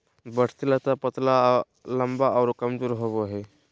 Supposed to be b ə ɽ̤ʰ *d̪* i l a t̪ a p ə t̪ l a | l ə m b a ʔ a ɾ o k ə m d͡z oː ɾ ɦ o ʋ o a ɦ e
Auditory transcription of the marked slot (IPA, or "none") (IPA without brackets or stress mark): t̪